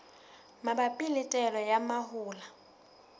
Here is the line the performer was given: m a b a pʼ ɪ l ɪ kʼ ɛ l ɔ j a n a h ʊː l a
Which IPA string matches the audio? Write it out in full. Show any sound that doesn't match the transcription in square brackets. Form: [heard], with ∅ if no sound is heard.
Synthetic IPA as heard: m a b a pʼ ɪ l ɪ [tʼ] ɛ l ɔ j a [m] a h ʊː l a